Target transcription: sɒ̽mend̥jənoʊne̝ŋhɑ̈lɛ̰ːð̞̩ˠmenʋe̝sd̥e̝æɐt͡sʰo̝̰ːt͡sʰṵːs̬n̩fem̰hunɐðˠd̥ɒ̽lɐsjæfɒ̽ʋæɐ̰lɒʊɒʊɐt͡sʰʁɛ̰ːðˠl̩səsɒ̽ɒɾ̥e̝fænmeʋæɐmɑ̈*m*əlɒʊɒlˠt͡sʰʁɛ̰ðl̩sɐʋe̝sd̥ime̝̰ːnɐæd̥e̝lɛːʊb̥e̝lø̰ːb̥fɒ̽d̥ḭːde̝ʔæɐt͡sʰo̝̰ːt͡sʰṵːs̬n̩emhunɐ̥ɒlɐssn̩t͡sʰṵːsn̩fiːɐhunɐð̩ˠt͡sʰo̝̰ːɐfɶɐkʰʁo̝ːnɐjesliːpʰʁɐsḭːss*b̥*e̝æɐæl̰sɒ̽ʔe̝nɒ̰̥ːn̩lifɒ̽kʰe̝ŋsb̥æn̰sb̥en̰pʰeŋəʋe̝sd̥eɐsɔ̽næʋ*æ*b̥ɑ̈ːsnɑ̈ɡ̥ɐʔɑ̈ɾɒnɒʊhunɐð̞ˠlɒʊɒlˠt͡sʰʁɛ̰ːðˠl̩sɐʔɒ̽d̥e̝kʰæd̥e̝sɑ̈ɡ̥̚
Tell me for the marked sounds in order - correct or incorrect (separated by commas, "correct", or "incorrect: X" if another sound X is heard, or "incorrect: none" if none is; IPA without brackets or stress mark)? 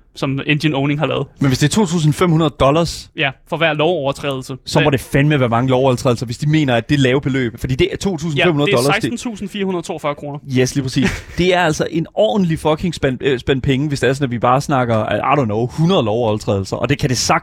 incorrect: ŋ, incorrect: d̥, incorrect: i